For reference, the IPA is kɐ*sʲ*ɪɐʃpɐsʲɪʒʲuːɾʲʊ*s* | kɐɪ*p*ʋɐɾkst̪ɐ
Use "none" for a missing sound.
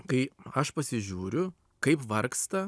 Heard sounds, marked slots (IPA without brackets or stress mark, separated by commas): none, none, p